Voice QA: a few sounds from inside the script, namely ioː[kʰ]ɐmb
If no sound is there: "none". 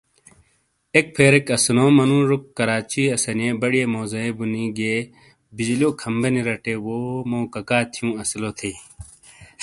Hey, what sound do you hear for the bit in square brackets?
kʰ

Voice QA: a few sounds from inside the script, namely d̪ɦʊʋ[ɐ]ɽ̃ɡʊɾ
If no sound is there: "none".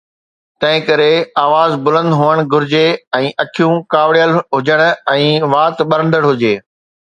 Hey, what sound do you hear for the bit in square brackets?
ə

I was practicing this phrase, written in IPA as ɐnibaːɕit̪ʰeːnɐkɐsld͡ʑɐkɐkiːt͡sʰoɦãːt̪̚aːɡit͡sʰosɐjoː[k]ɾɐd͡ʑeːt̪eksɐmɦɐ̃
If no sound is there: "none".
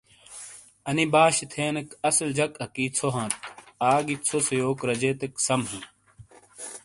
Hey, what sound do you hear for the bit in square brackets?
k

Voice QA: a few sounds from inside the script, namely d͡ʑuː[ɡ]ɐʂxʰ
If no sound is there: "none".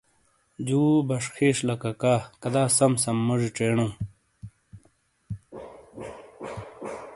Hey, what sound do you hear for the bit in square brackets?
b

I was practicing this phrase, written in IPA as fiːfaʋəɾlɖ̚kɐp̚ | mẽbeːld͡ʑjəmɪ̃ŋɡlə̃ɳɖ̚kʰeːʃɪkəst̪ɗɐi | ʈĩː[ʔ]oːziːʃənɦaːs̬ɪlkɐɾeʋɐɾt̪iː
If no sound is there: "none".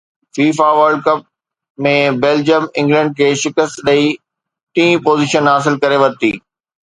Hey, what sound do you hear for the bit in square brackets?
p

